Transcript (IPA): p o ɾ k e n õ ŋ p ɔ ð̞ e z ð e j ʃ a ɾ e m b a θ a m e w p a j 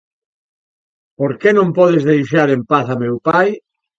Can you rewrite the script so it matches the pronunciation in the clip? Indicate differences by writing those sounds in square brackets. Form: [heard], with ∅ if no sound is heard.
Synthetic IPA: p o ɾ k e n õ [m] p ɔ ð̞ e z ð e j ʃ a ɾ e m [p] a θ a m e w p a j